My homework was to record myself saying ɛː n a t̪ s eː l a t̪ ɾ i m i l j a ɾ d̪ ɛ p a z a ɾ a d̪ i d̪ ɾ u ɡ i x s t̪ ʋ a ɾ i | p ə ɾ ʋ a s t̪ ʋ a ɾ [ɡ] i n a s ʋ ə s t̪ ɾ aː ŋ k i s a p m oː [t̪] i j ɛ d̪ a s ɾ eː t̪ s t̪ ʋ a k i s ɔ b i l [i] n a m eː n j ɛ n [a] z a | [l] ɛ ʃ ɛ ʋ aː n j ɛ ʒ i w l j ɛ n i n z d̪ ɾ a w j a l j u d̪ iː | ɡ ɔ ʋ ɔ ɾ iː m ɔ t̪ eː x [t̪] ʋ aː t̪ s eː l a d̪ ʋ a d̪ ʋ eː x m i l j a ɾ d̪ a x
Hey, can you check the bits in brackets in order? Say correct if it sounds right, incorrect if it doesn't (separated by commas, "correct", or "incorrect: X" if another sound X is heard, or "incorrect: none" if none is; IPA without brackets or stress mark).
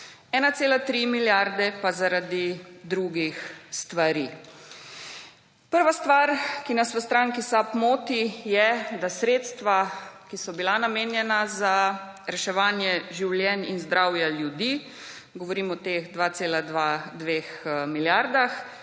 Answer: incorrect: k, correct, incorrect: a, correct, incorrect: ɾ, incorrect: d̪